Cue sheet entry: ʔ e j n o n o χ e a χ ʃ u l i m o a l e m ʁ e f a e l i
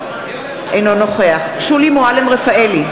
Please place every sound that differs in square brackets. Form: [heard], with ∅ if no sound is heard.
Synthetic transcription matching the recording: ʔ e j n o n o χ e a χ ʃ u l i m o a l e m ʁ e f a e l i